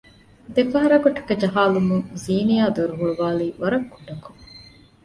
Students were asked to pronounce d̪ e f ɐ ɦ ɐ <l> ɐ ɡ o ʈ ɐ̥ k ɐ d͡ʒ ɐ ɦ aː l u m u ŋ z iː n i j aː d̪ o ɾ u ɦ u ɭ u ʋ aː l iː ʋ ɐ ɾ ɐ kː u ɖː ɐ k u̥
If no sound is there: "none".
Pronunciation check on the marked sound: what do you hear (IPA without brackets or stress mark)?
ɾ